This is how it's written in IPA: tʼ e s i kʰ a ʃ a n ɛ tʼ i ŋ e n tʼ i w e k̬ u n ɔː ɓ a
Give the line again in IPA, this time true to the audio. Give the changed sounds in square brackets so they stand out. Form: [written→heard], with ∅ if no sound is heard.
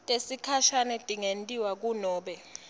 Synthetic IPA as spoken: tʼ e s i kʰ a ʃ a n ɛ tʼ i ŋ e n tʼ i w [e→a] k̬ u n ɔː ɓ [a→ɛ]